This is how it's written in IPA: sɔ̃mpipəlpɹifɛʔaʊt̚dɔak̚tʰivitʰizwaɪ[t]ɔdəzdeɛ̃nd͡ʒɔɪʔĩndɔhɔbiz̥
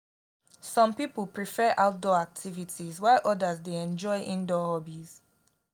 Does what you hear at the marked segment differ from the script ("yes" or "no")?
yes